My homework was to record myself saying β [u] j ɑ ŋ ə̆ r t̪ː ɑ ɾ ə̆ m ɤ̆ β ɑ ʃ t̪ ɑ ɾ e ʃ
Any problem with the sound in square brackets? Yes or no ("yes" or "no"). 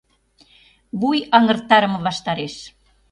no